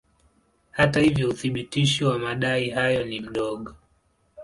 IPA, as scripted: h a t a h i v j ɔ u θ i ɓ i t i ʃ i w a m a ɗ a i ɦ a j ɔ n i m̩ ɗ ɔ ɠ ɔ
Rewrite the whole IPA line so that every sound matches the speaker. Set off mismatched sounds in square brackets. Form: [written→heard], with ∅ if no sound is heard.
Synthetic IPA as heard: h a t a h i v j ɔ u θ i ɓ i t i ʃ i w a m a ɗ a i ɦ a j ɔ n i m̩ ɗ ɔ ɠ ɔ